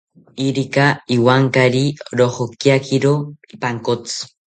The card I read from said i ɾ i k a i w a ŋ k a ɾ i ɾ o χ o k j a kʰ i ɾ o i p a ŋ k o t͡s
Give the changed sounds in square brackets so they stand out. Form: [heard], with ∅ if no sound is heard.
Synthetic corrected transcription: i ɾ i k a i w a ŋ k a ɾ i ɾ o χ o k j a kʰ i ɾ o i p a ŋ k o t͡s